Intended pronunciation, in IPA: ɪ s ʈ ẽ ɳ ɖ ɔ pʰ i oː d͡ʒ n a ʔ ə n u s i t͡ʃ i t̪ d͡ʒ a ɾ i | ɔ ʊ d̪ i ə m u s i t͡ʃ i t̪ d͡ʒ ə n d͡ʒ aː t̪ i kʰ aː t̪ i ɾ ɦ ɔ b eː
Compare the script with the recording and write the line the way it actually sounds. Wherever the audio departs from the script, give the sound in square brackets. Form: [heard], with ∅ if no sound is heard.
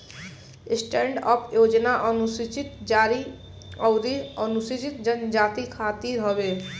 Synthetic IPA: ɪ s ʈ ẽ ɳ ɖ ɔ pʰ [j] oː d͡ʒ n a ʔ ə n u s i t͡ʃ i t̪ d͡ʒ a ɾ i | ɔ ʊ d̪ i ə [n] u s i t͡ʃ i t̪ d͡ʒ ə n d͡ʒ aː t̪ i kʰ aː t̪ i ɾ ɦ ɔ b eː